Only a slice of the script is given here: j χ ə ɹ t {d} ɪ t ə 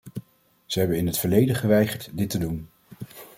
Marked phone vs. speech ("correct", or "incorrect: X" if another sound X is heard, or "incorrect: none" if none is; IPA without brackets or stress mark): correct